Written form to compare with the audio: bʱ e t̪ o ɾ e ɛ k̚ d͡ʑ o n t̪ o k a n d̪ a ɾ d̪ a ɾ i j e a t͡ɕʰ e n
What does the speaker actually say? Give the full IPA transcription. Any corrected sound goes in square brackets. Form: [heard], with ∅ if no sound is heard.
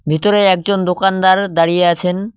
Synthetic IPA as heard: bʱ [i] t̪ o ɾ e ɛ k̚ d͡ʑ o n [d̪] o k a n d̪ a ɾ d̪ a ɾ i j e a t͡ɕʰ e n